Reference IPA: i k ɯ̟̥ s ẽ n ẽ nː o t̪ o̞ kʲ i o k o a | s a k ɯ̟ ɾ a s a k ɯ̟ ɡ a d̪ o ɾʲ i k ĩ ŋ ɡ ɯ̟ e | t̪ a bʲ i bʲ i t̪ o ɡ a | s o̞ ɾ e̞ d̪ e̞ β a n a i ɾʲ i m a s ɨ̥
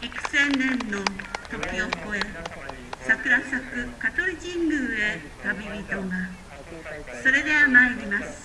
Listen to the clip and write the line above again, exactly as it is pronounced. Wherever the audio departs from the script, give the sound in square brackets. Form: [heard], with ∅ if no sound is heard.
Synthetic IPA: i k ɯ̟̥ s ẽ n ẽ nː o t̪ o̞ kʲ i o k o [e] | s a k ɯ̟ ɾ a s a k ɯ̟ [k] a [t̪] o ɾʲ i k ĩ ŋ ɡ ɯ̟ e | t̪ a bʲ i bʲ i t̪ o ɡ a | s o̞ ɾ e̞ d̪ e̞ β a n a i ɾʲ i m a s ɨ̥